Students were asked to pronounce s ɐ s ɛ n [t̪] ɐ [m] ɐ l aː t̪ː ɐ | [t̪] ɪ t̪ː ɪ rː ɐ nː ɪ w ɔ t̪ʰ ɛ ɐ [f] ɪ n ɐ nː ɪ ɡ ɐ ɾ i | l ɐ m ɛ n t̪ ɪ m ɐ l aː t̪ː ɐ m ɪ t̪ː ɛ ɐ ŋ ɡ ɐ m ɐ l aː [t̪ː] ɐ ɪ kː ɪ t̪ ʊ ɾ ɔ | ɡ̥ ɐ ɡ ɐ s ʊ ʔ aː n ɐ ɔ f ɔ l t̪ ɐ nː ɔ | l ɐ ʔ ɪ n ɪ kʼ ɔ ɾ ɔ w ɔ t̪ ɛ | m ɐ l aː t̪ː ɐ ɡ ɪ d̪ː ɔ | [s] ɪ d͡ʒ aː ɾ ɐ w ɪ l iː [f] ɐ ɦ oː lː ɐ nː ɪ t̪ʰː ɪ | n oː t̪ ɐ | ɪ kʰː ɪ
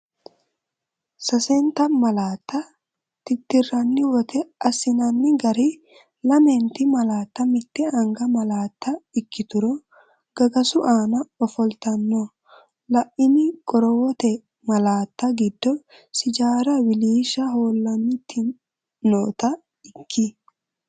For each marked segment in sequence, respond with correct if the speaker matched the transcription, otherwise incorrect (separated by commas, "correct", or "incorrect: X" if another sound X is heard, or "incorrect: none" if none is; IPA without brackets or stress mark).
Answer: correct, correct, correct, incorrect: s, correct, correct, incorrect: ʃ